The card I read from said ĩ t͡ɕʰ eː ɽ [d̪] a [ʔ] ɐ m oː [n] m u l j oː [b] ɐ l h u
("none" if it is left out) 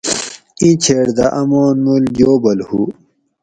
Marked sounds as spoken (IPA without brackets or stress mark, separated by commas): d̪, ʔ, n, b